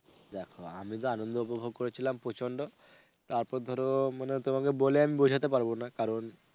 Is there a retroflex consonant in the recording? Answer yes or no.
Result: yes